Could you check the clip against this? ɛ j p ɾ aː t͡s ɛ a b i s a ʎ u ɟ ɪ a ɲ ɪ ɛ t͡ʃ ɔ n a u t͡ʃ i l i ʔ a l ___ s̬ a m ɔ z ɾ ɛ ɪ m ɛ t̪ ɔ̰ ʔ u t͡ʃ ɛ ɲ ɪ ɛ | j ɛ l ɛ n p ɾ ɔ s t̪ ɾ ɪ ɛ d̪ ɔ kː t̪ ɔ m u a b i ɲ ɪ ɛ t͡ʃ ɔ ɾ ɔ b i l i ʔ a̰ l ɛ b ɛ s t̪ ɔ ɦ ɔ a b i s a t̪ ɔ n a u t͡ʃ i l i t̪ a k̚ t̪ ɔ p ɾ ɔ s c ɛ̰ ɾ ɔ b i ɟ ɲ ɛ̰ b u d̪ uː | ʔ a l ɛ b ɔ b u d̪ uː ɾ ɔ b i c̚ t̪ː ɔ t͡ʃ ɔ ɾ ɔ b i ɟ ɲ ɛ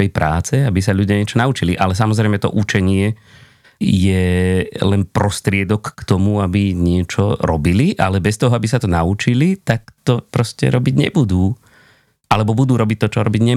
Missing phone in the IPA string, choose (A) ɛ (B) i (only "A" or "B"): A